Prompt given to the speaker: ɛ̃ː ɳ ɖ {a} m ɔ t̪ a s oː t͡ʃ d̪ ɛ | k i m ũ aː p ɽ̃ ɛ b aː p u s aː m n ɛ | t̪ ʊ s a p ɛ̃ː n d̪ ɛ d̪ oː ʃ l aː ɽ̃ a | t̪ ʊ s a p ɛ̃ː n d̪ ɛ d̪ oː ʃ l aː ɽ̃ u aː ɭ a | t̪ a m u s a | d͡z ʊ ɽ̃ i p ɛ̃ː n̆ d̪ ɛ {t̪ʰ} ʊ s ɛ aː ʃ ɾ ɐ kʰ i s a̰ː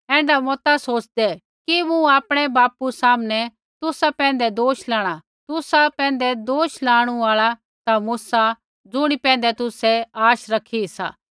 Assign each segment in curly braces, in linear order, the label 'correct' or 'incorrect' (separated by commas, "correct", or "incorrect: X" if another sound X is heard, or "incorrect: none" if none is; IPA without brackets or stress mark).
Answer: correct, incorrect: t̪